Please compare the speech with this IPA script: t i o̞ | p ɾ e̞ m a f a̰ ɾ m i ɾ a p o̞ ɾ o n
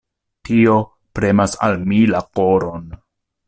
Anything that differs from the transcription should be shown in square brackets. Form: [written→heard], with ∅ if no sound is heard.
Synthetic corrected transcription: t i o̞ | p ɾ e̞ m a [f→s] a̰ [ɾ→l] m i [ɾ→l] a [p→k] o̞ ɾ o n